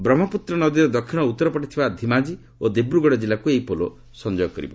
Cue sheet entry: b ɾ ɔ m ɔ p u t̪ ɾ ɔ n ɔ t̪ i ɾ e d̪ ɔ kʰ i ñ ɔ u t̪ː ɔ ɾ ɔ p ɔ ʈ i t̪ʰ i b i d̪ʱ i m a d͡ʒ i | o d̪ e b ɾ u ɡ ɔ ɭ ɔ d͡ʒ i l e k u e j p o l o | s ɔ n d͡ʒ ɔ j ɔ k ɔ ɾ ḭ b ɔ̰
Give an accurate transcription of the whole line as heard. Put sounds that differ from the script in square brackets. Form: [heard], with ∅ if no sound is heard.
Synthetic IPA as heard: b ɾ ɔ m ɔ p u t̪ ɾ ɔ n ɔ [d̪] i ɾ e d̪ ɔ kʰ i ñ ɔ u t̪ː ɔ ɾ ɔ p ɔ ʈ i t̪ʰ i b [a] d̪ʱ i m a d͡ʒ i | o d̪ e b ɾ u ɡ ɔ [ɽ] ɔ d͡ʒ i l [a] k u e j p o l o | s ɔ n d͡ʒ ɔ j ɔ k ɔ ɾ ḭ b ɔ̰